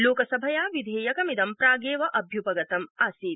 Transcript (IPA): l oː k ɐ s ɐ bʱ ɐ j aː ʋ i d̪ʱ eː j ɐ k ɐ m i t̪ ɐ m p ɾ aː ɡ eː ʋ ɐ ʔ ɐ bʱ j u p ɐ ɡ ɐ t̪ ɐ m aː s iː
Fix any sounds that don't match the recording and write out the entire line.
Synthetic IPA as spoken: l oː k ɐ s ɐ bʱ ɐ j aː ʋ i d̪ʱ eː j ɐ k ɐ m i d̪ ɐ m p ɾ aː ɡ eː ʋ ɐ ʔ ɐ bʱ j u p ɐ ɡ ɐ t̪ ɐ m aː s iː